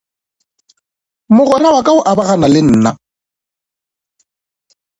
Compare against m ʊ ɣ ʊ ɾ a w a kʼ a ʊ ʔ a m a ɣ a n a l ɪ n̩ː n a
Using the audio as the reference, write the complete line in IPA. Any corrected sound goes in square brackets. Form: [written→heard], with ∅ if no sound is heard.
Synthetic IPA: m ʊ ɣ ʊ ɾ a w a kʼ a ʊ ʔ a [m→b] a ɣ a n a l ɪ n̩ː n a